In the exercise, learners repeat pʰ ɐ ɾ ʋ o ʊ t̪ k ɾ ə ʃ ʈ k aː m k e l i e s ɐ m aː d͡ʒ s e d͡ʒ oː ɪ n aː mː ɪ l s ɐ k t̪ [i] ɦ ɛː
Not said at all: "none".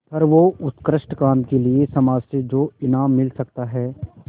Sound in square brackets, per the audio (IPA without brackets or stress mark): a